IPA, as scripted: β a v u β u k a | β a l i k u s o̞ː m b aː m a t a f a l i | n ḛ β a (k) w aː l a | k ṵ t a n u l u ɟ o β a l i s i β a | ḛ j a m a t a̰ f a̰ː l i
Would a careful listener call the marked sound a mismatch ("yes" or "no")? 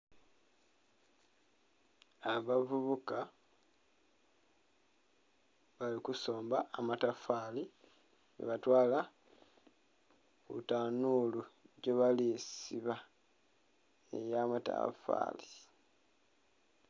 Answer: yes